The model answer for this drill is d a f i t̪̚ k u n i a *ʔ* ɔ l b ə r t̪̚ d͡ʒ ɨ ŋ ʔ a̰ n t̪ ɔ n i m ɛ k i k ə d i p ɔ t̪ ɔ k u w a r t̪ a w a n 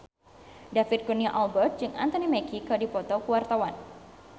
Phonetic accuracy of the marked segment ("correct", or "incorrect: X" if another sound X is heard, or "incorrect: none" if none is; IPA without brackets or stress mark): correct